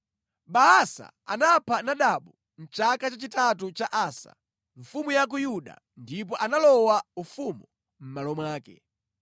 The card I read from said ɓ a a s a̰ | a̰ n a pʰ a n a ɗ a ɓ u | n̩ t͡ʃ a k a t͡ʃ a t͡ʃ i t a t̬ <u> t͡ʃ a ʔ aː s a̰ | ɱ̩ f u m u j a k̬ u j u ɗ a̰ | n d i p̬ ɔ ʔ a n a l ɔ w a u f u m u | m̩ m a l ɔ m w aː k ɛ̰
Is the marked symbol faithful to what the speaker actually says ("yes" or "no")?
yes